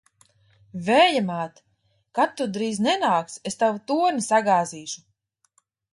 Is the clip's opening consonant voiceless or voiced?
voiced